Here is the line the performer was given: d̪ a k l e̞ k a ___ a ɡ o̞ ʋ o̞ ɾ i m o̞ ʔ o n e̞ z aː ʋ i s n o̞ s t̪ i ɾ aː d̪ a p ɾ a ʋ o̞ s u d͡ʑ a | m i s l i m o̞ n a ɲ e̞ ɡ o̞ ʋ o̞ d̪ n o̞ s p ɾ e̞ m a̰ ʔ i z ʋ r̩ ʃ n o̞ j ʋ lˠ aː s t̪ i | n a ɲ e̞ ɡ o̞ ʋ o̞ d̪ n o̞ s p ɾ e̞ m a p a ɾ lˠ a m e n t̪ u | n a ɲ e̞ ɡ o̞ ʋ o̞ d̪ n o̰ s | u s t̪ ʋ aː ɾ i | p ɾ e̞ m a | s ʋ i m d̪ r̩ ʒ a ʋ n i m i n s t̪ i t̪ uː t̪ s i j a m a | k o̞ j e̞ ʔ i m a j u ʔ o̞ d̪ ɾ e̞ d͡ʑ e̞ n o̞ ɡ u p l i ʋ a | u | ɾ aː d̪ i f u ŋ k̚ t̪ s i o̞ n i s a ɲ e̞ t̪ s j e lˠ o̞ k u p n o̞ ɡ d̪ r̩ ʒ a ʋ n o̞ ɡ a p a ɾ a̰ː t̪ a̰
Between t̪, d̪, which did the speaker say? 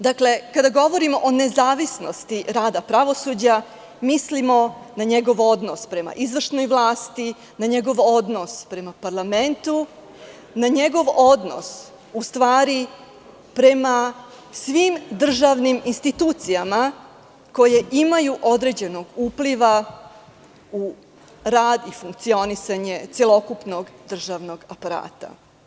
d̪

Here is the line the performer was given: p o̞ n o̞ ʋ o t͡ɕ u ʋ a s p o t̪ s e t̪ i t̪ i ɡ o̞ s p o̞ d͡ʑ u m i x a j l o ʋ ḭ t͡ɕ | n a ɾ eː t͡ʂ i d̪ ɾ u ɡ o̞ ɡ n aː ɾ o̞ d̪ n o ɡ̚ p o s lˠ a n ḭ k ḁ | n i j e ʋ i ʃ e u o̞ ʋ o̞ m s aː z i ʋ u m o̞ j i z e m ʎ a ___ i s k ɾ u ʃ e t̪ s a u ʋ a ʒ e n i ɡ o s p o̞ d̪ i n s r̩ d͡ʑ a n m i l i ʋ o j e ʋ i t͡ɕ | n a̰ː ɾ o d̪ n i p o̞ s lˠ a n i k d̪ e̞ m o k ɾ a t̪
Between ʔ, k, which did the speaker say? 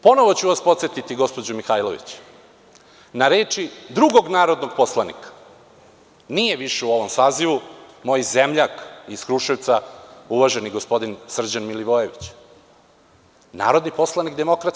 k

